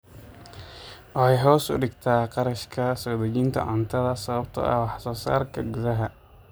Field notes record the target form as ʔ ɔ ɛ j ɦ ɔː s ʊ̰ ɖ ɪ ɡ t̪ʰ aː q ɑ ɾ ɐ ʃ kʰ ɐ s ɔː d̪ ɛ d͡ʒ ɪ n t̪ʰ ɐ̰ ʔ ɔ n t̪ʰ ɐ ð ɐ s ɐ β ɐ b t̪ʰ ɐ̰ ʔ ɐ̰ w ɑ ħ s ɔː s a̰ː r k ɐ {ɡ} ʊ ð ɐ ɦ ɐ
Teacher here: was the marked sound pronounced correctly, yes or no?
yes